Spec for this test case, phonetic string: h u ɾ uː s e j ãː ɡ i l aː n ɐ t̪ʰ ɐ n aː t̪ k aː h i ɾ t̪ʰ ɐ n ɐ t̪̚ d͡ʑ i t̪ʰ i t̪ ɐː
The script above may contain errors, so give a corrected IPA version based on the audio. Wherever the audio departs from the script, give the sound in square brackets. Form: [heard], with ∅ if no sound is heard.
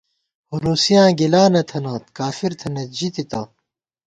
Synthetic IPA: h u ɾ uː s [i] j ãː ɡ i l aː n ɐ t̪ʰ ɐ n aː t̪ k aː [f] i ɾ t̪ʰ ɐ n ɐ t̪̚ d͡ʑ i [t̪] i t̪ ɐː